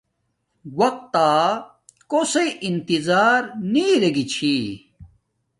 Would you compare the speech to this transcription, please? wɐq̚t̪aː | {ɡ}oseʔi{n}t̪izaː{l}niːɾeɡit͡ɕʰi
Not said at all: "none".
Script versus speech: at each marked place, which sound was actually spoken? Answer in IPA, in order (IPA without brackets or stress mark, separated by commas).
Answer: k, n, ɾ